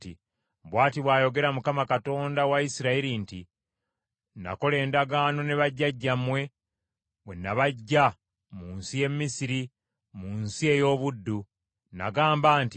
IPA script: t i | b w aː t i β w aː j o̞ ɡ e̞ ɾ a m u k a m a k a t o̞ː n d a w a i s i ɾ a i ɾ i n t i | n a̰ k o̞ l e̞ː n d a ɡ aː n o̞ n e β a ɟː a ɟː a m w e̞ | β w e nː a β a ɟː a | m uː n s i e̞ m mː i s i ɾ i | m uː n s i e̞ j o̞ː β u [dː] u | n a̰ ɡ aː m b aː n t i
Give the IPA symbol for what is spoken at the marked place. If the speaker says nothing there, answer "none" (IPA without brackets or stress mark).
dː